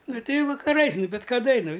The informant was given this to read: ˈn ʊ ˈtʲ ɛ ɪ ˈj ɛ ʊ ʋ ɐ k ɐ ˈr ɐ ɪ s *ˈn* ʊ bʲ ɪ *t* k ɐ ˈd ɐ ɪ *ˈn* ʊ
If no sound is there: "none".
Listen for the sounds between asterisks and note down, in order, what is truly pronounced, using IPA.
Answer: n, t, n

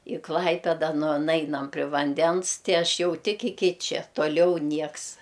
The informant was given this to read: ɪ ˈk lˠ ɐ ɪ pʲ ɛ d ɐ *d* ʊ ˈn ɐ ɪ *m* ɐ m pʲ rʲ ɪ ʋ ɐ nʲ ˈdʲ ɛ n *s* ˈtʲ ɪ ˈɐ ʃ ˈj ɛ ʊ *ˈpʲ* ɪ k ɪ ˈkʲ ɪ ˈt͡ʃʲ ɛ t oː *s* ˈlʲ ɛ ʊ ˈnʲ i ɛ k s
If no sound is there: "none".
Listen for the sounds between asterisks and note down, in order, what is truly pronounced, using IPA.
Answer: n, n, s, tʲ, none

